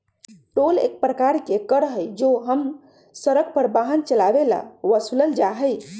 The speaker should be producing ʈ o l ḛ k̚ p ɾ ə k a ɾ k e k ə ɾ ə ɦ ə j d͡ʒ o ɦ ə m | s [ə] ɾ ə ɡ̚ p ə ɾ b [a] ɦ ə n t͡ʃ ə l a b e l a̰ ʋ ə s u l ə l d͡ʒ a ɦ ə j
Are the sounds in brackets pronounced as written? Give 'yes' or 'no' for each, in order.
yes, yes

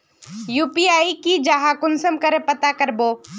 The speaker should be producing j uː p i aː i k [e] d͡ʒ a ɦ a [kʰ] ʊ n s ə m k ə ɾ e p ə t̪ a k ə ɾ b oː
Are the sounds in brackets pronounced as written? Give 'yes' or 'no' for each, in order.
no, no

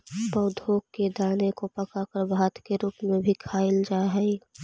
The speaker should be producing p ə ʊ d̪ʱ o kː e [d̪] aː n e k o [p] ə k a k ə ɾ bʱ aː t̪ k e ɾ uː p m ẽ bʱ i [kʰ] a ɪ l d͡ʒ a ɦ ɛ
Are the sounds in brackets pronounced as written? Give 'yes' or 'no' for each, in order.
yes, yes, yes

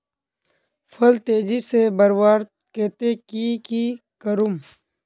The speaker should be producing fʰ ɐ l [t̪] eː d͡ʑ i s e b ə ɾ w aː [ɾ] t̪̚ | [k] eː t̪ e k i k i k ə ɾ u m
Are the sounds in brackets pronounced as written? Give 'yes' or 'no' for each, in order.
yes, yes, yes

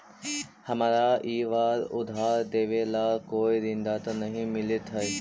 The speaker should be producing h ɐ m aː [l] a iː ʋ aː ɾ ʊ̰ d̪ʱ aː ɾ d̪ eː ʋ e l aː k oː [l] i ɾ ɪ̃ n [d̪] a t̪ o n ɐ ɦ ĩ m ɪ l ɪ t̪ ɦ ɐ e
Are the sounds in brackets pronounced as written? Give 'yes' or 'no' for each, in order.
no, no, yes

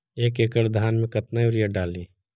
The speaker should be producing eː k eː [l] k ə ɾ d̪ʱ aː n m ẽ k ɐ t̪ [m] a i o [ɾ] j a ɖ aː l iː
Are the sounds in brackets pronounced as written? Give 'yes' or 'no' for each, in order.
no, no, yes

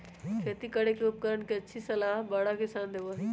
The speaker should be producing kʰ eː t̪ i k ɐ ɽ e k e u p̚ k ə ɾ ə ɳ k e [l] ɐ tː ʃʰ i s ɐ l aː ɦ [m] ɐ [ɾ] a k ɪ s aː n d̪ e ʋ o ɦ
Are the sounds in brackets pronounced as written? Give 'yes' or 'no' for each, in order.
no, no, no

